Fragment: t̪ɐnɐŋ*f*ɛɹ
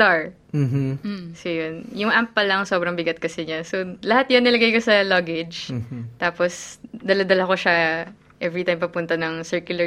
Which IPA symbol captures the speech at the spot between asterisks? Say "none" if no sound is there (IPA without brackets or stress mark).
s